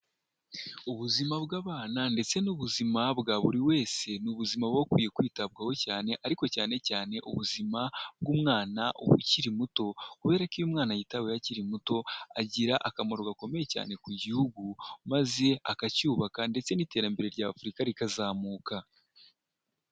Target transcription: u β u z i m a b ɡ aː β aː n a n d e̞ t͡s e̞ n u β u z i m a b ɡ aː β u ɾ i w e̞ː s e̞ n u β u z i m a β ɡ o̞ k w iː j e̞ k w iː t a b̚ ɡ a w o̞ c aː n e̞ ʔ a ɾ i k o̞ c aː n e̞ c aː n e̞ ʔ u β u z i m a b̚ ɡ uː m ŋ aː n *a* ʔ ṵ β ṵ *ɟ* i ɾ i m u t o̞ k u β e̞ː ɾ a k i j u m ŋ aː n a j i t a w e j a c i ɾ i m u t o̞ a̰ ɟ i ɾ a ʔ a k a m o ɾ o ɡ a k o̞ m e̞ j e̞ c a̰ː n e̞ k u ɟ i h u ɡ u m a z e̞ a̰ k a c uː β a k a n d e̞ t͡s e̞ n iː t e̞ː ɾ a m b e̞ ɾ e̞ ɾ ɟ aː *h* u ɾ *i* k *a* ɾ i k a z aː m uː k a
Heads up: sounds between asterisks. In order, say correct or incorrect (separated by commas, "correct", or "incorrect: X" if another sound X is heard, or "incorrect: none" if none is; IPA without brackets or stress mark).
correct, incorrect: c, incorrect: f, correct, correct